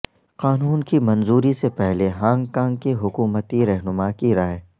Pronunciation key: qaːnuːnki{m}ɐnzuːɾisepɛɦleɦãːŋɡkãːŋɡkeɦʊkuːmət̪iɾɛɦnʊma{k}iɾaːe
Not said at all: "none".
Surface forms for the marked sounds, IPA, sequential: m, k

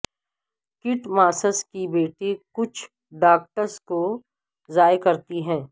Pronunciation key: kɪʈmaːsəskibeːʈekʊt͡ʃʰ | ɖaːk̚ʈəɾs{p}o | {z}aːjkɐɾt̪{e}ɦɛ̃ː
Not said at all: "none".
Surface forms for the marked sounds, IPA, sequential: k, z, i

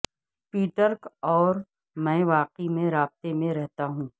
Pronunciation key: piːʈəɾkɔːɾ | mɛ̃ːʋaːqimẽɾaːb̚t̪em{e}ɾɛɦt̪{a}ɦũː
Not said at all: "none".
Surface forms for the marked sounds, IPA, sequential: ẽ, a

